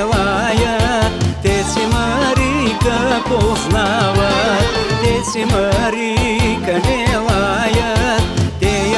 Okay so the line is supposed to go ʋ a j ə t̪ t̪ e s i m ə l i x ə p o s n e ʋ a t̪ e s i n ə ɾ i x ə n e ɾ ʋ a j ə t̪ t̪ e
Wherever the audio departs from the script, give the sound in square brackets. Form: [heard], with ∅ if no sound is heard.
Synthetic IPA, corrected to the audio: ʋ a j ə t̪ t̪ e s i m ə [ɾ] i [k] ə p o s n [a] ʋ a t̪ e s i [m] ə ɾ i [k] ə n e [∅] ʋ a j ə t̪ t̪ e